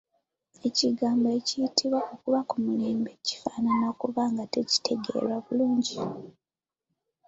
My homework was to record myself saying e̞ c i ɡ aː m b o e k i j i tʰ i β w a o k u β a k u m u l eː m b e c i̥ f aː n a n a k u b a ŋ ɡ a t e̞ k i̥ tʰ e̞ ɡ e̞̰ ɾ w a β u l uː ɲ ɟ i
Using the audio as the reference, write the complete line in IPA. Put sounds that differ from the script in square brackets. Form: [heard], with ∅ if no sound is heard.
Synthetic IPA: e̞ c i ɡ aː m b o e [c] i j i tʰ i β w a o k u β a k u m u l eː m b e c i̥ f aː n a n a k u [β] a ŋ ɡ a t e̞ [c] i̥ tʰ e̞ ɡ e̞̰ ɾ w a β u l uː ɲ ɟ i